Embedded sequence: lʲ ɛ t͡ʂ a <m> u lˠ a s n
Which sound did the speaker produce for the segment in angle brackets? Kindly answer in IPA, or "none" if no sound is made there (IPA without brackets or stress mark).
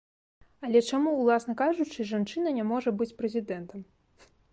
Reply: m